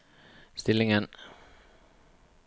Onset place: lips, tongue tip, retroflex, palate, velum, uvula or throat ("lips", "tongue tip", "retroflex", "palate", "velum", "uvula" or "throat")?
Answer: tongue tip